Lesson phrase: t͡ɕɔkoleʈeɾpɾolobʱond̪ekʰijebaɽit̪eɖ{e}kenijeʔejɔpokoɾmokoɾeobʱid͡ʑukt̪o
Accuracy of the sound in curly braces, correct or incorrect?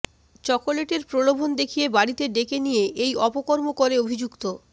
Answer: correct